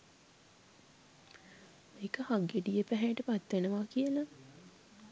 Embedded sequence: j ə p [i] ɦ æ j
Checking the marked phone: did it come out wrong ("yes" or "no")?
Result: yes